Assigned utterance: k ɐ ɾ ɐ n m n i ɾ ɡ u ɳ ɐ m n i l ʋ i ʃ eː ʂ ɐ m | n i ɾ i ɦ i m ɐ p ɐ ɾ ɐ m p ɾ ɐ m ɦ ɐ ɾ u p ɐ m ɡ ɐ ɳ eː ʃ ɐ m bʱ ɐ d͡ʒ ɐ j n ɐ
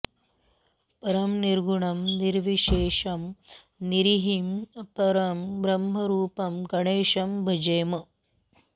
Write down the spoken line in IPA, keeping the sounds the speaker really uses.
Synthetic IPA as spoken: p ɐ ɾ ɐ m n i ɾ ɡ u ɳ ɐ m n i ɾ ʋ i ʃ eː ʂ ɐ m | n i ɾ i ɦ i m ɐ p ɐ ɾ ɐ m b ɾ ɐ m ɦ ɐ ɾ uː p ɐ m ɡ ɐ ɳ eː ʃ ɐ m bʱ ɐ d͡ʒ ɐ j m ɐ